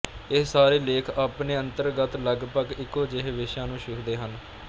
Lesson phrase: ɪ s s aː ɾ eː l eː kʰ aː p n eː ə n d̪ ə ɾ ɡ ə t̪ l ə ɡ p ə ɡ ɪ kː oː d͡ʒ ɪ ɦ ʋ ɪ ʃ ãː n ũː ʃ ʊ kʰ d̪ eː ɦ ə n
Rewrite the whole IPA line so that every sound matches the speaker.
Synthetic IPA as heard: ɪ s s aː ɾ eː l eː kʰ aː p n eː ə n t̪ ə ɾ ɡ ə t̪ l ə ɡ p ə ɡ ɪ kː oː d͡ʒ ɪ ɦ ʋ ɪ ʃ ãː n ũː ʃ ʊ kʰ d̪ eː ɦ ə n

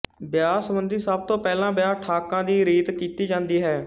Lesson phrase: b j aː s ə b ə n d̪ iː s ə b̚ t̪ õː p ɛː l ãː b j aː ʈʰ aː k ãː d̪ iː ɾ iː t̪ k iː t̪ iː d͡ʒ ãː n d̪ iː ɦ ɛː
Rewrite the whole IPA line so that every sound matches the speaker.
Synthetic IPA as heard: b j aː s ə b ə n d̪ iː s ə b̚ t̪ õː p ɛː l ãː b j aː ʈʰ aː k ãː d̪ iː ɾ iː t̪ k iː t̪ iː d͡ʒ ãː n d̪ iː ɦ ɛː

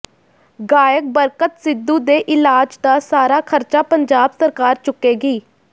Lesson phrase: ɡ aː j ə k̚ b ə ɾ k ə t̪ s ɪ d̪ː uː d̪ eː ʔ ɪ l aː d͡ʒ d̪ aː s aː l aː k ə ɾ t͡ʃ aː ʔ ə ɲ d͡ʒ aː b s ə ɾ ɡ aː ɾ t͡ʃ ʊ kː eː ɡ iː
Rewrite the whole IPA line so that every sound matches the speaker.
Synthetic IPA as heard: ɡ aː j ə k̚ b ə ɾ k ə t̪ s ɪ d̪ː uː d̪ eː ʔ ɪ l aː d͡ʒ d̪ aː s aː ɾ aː kʰ ə ɾ t͡ʃ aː p ə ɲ d͡ʒ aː b s ə ɾ k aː ɾ t͡ʃ ʊ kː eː ɡ iː

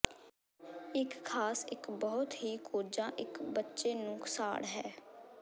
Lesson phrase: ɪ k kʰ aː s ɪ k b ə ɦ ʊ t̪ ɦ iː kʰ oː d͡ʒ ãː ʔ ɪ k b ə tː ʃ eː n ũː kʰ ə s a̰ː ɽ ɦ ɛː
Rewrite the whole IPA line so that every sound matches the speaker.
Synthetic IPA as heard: ɪ k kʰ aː s ɪ k b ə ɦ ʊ t̪ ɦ iː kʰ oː d͡ʒ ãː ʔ ɪ k b ə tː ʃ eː n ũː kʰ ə s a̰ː ɽ ɦ ɛː

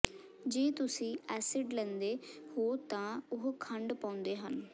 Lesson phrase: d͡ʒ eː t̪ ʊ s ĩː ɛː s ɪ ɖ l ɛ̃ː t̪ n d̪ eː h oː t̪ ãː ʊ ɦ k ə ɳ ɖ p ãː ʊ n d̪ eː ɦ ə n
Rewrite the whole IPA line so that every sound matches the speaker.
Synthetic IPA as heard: d͡ʒ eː t̪ ʊ s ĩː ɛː s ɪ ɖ l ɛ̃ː n d̪ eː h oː t̪ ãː ʊ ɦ kʰ ə ɳ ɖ p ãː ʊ n d̪ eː ɦ ə n

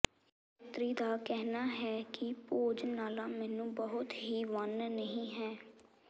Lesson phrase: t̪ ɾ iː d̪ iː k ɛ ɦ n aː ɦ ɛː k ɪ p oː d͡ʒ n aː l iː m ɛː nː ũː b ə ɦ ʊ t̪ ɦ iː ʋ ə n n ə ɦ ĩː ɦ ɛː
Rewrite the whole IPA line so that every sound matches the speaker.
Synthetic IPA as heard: t̪ ɾ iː d̪ aː k ɛ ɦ n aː ɦ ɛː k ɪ p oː d͡ʒ n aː l aː m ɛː n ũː b ə ɦ ʊ t̪ ɦ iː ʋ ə n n ə ɦ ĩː ɦ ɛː

